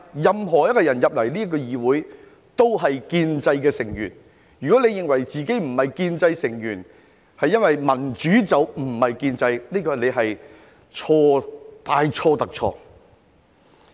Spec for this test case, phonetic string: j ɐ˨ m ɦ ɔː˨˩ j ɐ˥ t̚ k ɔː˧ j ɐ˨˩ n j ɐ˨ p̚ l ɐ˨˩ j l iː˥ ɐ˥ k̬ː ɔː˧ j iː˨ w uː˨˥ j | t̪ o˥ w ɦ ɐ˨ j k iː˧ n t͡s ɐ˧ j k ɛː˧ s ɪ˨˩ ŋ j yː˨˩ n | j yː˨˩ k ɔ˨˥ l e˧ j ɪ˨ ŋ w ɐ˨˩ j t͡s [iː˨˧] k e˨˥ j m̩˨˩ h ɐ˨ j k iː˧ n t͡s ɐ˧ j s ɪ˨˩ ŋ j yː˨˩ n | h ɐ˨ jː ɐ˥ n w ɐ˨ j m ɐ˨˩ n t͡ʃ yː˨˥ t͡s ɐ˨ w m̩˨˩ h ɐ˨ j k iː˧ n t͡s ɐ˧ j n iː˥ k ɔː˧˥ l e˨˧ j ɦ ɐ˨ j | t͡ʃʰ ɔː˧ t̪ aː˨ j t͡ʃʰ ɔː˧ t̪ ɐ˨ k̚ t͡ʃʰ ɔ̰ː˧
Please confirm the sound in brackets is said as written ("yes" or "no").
yes